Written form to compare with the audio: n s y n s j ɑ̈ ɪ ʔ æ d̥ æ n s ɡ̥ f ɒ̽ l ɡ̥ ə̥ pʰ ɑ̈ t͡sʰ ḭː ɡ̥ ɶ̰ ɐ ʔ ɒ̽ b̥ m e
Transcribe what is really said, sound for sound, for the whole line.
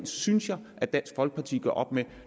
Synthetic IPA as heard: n s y n s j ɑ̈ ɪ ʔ æ d̥ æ n s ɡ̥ f ɒ̽ l ɡ̥ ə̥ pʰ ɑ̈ t͡sʰ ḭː ɡ̥ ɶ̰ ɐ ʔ ɒ̽ b̥ m e